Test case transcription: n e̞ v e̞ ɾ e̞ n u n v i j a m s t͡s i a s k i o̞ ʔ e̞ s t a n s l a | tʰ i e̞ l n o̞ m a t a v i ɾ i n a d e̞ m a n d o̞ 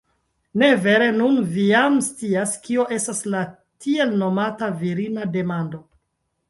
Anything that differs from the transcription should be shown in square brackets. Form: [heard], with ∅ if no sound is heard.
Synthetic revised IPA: n e̞ v e̞ ɾ e̞ n u n v i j a m s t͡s i a s k i o̞ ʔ e̞ s t a [∅] s l a | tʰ i e̞ l n o̞ m a t a v i ɾ i n a d e̞ m a n d o̞